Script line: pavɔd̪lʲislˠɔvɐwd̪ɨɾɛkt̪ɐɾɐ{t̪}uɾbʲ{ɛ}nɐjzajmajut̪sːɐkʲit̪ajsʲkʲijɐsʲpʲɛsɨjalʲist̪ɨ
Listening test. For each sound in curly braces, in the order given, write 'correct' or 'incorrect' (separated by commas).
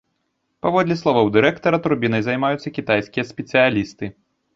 correct, incorrect